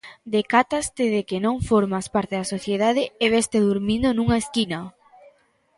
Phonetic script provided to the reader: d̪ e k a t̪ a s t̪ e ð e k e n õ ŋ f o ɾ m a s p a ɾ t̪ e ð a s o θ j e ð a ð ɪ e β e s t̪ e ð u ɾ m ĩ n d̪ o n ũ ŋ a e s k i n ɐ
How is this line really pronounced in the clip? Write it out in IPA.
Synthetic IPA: d̪ e k a t̪ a s t̪ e ð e k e n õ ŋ f o ɾ m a s p a ɾ t̪ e ð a s o θ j e ð a ð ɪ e β e s t̪ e ð u ɾ m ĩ n d̪ o n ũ ŋ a e s k i n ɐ

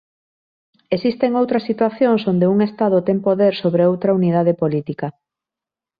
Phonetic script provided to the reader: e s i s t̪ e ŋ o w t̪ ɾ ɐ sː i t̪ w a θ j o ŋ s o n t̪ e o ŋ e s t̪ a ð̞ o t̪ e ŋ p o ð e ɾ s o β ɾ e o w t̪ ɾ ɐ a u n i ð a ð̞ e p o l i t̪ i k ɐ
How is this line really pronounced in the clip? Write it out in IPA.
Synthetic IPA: e s i s t̪ e ŋ o w t̪ ɾ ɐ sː i t̪ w a θ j o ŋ s o n d̪ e u ŋ e s t̪ a ð̞ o t̪ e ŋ p o ð e ɾ s o β ɾ e o w t̪ ɾ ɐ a u n i ð a ð̞ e p o l i t̪ i k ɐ

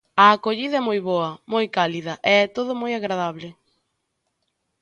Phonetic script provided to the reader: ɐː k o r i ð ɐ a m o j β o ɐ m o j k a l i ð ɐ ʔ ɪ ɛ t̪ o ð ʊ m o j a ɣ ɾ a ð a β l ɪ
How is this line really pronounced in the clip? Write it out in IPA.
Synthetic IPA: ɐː k o ʎ i ð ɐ ɛ m o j β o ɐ m o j k a l i ð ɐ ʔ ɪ ɛ t̪ o ð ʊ m o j a ɣ ɾ a ð a β l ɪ

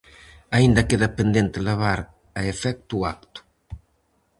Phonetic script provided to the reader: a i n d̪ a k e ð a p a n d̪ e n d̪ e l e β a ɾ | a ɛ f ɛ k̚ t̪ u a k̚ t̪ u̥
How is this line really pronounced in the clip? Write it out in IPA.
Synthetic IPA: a i n d̪ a k e ð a p e n d̪ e n t̪ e l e β a ɾ | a e f ɛ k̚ t̪ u a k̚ t̪ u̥

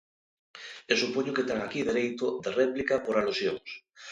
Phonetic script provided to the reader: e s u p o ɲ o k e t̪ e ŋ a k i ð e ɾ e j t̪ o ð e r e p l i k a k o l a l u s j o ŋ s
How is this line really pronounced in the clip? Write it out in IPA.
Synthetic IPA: e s u p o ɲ o k e t̪ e ŋ a k i ð e ɾ e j t̪ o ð e r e p l i k a p o ɾ a l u s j o ŋ s

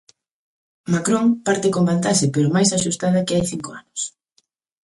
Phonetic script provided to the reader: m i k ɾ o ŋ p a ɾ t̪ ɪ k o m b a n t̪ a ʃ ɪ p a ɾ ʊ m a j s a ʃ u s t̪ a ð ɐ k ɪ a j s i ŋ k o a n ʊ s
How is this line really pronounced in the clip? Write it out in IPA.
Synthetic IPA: m a k ɾ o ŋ p a ɾ t̪ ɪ k o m b a n t̪ a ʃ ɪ p e ɾ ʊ m a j s a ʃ u s t̪ a ð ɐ k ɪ a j θ i ŋ k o a n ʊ s

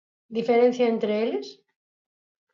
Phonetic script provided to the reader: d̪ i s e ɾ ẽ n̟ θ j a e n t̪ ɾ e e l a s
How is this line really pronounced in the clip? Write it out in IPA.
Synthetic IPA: d̪ i f e ɾ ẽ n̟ θ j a e n t̪ ɾ e e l e s

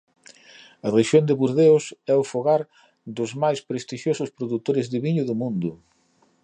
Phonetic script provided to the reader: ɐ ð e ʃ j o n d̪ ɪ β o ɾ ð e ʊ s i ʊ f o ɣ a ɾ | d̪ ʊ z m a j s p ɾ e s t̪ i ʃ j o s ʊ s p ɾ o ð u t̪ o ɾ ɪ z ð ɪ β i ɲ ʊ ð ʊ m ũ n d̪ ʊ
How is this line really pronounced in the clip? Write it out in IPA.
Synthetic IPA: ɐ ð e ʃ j o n d̪ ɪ β u ɾ ð e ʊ s ɛ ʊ f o ɣ a ɾ | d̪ ʊ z m a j s p ɾ e s t̪ i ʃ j o s ʊ s p ɾ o ð u t̪ o ɾ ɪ z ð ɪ β i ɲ ʊ ð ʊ m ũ n d̪ ʊ

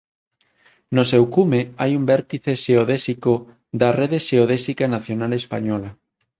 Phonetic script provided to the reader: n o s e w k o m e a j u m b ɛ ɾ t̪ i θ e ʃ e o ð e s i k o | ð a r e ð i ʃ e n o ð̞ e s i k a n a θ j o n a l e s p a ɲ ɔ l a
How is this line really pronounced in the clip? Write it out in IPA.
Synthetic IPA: n o s e w k u m e a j u m b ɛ ɾ t̪ i θ e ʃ e o ð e s i k o | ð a r e ð e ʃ e o ð̞ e s i k a n a θ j o n a l e s p a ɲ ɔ l a

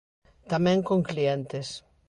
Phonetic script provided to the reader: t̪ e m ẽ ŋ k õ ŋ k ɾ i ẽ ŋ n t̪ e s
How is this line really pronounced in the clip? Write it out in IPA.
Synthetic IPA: t̪ a m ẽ ŋ k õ ŋ k l i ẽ n t̪ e s

